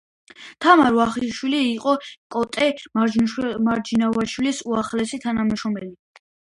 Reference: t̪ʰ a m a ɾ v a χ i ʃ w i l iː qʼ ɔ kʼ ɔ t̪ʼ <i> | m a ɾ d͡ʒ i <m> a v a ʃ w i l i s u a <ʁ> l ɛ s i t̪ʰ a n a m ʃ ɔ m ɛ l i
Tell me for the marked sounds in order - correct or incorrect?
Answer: incorrect, incorrect, incorrect

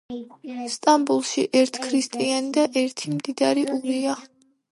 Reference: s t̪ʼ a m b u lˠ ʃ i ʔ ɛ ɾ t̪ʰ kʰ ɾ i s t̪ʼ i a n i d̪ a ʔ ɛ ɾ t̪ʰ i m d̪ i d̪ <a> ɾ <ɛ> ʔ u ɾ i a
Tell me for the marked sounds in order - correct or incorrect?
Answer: correct, incorrect

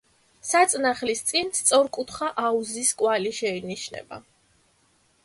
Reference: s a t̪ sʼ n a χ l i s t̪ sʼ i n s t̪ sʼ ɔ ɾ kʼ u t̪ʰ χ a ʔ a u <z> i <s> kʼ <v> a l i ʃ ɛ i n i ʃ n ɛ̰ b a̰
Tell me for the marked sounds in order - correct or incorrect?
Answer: correct, correct, incorrect

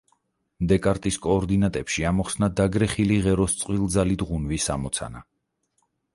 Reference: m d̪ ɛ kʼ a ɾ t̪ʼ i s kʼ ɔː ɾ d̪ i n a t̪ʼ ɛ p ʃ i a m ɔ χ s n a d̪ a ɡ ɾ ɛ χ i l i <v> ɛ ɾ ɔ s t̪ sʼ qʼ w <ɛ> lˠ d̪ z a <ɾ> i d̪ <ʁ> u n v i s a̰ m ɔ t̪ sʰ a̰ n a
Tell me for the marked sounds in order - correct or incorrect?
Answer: incorrect, incorrect, incorrect, correct

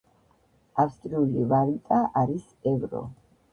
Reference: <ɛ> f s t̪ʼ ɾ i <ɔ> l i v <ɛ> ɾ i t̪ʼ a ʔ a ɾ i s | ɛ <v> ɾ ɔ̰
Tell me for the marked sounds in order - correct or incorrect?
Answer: incorrect, incorrect, incorrect, correct

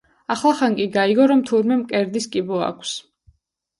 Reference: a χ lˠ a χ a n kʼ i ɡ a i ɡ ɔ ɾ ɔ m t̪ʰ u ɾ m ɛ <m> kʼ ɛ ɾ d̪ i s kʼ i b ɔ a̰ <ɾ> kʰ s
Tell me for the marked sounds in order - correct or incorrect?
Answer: correct, incorrect

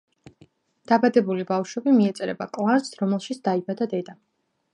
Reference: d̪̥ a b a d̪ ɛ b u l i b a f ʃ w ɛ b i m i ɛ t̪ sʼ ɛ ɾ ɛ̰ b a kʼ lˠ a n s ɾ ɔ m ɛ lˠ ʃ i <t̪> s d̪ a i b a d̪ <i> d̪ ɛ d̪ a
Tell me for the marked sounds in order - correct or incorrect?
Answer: correct, incorrect

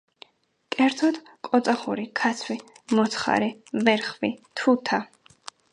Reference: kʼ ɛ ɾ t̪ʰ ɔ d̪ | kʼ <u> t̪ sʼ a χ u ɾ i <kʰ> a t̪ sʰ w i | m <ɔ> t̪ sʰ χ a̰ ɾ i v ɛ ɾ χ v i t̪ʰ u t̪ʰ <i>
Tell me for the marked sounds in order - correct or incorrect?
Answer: incorrect, correct, correct, incorrect

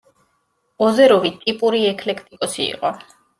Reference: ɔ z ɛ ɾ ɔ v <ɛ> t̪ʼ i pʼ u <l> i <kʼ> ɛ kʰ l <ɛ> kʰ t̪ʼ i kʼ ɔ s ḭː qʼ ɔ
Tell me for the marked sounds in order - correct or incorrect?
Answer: incorrect, incorrect, incorrect, correct

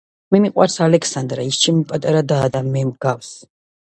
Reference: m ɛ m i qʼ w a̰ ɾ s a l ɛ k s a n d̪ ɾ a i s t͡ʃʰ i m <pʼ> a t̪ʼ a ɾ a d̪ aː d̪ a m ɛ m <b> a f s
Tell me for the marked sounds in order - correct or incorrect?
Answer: correct, incorrect

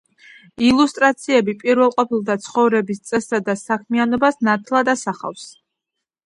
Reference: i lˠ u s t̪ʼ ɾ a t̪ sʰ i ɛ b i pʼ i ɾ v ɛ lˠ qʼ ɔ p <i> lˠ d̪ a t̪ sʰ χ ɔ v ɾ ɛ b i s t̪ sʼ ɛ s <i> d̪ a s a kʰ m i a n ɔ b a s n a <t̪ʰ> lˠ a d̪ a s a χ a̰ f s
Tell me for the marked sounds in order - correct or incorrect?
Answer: correct, incorrect, correct

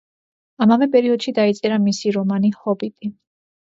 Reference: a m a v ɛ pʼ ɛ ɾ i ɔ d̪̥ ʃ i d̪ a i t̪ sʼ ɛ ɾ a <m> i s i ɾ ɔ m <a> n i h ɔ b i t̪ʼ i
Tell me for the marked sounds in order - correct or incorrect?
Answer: correct, correct

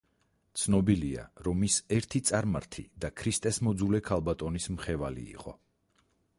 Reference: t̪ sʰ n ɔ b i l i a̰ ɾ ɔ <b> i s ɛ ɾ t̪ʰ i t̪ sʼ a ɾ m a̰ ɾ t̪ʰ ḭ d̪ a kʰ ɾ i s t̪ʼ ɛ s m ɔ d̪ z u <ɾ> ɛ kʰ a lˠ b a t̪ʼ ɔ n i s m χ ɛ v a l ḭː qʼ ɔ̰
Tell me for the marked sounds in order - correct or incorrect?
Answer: incorrect, incorrect

